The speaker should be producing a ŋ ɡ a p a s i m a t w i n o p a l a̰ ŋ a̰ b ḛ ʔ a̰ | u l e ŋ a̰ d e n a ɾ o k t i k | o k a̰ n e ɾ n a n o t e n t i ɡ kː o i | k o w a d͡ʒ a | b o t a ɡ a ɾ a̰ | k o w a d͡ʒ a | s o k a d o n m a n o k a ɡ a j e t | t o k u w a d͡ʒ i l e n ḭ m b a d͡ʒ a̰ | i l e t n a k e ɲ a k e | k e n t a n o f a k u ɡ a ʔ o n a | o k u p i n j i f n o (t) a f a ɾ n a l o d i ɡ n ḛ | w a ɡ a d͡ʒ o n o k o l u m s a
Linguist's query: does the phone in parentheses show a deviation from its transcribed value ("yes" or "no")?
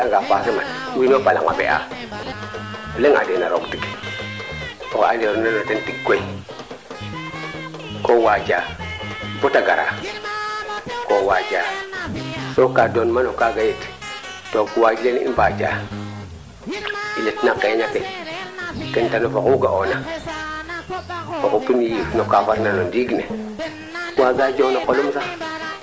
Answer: yes